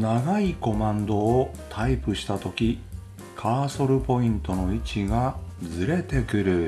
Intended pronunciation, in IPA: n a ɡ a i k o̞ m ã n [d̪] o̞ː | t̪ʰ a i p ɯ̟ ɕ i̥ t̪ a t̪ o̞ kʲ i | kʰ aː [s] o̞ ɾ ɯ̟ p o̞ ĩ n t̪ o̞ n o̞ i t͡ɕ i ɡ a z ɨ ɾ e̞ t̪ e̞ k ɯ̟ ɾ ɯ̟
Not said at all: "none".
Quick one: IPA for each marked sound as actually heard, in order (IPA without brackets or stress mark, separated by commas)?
d̪, s